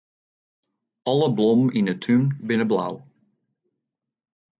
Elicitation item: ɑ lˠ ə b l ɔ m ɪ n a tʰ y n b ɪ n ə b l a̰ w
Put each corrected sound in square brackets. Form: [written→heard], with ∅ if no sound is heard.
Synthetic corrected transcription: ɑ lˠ ə b l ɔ m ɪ n [a→ə] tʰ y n b ɪ n ə b l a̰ w